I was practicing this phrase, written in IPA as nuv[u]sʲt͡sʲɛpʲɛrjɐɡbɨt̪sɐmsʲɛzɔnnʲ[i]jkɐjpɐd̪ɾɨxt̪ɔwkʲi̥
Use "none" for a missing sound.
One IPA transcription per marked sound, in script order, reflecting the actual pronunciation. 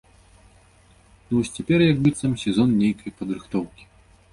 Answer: ɔ, e

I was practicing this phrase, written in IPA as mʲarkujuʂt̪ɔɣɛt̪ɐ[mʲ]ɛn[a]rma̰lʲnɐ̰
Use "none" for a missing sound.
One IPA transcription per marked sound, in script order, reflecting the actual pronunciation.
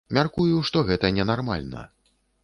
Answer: nʲ, a

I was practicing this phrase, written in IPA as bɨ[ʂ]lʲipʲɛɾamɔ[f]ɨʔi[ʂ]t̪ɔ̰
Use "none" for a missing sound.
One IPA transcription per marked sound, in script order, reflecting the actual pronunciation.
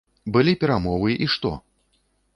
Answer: none, v, ʂ

